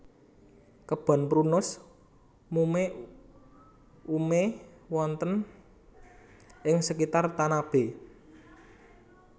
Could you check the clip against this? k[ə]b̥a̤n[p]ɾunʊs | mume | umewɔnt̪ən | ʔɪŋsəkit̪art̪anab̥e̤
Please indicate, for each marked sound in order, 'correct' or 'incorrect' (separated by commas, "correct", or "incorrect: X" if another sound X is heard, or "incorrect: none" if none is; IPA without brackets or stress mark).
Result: correct, correct